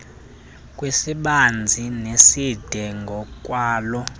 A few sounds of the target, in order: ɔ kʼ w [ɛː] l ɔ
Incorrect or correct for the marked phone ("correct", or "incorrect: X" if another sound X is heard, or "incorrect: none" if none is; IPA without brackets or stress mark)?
incorrect: aː